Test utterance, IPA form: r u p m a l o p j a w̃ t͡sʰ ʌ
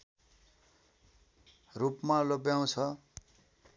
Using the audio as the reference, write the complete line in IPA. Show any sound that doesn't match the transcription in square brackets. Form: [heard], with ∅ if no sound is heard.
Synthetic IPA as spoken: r u p m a l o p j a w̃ t͡sʰ ʌ